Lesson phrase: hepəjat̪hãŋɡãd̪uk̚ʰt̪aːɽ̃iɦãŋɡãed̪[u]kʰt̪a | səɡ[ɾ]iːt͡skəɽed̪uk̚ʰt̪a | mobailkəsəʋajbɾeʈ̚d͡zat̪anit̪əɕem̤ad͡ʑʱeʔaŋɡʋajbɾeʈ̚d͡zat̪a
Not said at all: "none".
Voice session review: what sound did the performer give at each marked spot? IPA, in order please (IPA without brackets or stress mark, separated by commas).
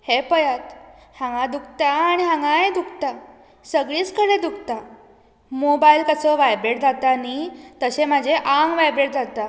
u, ɭ